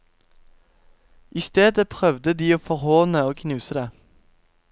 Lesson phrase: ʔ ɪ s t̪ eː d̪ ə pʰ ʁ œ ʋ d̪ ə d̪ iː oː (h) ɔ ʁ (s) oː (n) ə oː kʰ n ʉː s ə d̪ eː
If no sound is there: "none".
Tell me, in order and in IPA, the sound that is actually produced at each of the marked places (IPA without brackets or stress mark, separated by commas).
f, h, n